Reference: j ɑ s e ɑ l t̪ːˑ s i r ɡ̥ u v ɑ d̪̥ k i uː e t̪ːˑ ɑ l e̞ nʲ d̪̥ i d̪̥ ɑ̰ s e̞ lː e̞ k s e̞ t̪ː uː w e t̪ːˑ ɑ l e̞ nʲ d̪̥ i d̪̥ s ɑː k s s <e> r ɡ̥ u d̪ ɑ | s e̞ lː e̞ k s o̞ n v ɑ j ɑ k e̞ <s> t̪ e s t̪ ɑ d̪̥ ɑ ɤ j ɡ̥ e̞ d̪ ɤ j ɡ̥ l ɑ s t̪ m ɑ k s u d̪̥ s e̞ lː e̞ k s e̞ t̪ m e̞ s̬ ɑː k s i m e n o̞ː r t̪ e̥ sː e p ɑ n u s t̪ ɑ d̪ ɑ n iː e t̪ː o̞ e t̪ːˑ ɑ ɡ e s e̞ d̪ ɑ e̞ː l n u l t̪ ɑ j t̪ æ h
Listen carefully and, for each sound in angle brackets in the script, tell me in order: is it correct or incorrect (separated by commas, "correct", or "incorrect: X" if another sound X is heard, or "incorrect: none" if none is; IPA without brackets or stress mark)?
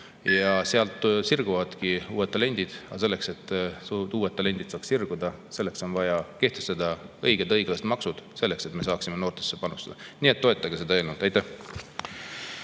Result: incorrect: i, incorrect: h